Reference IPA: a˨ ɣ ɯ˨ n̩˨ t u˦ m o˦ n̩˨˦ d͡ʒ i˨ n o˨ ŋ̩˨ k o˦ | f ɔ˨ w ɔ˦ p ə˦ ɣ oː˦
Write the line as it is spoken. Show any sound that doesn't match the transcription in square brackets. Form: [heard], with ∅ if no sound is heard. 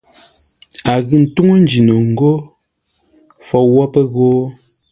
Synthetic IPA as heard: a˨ ɣ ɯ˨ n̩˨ t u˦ [ŋ] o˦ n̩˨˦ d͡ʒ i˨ n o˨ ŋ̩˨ [ɡ] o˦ | f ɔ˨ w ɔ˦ p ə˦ ɣ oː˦